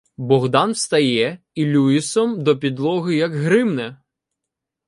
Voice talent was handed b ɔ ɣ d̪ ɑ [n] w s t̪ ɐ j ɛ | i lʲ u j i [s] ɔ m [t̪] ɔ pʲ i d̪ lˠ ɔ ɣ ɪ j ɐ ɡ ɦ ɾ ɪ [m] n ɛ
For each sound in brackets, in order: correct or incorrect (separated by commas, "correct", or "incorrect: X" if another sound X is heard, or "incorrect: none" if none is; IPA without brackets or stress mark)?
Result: correct, correct, incorrect: d̪, correct